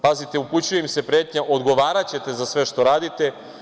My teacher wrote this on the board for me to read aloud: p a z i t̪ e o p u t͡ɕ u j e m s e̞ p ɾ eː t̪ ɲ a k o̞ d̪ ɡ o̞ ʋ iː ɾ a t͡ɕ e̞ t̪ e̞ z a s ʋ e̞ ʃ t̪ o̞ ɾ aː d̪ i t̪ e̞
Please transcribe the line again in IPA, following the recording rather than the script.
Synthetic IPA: p a z i t̪ e u p u t͡ɕ u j e m s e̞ p ɾ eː t̪ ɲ a ʔ o̞ d̪ ɡ o̞ ʋ aː ɾ a t͡ɕ e̞ t̪ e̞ z a s ʋ e̞ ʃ t̪ o̞ ɾ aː d̪ i t̪ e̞